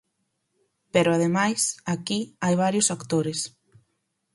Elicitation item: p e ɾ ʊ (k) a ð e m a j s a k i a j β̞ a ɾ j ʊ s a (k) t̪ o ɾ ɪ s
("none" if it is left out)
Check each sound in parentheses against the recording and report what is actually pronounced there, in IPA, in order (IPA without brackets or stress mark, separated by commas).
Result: none, k